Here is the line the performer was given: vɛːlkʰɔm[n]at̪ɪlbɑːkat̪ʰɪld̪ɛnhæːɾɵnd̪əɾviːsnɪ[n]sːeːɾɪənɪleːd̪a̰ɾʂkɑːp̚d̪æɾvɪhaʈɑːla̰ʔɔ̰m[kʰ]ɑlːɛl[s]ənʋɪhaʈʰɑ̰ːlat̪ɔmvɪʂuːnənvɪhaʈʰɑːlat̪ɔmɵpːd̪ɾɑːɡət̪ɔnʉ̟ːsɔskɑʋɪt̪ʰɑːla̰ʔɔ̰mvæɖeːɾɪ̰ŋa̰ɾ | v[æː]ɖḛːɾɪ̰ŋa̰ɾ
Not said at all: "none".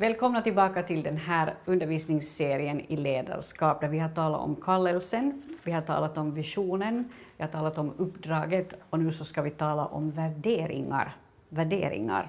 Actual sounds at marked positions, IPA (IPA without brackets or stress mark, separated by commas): n, ŋ, kʰ, s, æ